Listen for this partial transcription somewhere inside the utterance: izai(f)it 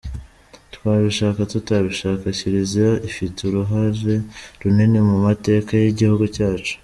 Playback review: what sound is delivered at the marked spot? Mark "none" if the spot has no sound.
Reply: f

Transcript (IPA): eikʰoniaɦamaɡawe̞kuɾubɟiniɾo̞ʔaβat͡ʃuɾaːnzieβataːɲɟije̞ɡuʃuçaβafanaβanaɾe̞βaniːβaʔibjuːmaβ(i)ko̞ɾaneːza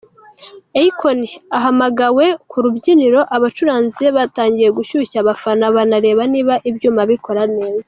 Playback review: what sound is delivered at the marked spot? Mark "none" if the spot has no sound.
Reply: i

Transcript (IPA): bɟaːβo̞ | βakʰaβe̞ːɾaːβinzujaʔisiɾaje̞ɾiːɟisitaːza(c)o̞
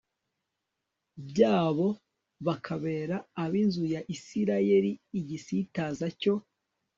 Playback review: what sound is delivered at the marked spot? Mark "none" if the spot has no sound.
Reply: c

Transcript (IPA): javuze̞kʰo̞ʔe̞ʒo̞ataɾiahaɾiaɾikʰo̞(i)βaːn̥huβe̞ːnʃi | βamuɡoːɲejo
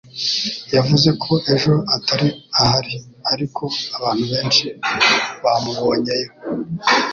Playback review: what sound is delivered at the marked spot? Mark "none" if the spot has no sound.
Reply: a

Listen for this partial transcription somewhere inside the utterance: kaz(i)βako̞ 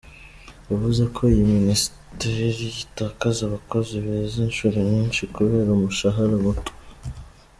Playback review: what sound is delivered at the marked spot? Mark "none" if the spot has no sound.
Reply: a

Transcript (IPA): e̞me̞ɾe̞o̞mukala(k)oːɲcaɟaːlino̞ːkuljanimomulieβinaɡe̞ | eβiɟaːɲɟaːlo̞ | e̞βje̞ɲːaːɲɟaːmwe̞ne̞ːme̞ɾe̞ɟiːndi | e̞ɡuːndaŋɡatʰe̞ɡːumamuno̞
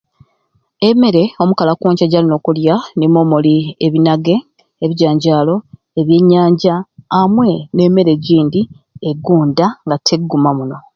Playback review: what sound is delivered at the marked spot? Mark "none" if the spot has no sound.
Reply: k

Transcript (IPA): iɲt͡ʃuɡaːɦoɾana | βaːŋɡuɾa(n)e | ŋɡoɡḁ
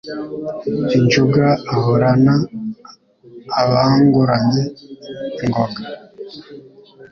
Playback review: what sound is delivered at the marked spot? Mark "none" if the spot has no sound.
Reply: ɲ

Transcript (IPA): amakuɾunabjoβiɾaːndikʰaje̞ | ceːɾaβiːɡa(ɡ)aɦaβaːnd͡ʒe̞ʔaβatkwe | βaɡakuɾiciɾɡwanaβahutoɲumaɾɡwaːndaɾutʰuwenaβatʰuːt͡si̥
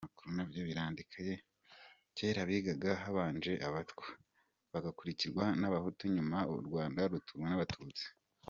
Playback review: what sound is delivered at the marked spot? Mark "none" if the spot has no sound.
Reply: ɡ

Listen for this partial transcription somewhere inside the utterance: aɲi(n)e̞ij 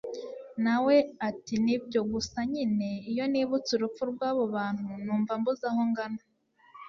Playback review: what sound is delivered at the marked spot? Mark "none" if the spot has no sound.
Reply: n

